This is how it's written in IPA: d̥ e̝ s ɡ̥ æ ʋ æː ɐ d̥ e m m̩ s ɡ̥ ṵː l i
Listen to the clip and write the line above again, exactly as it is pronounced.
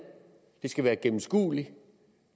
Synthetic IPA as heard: d̥ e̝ s ɡ̥ æ ʋ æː ɐ ɡ̥ e m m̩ s ɡ̥ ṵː l i